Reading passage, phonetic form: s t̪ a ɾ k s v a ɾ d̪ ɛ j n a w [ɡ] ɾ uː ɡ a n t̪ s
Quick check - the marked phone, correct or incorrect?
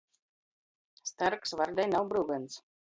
incorrect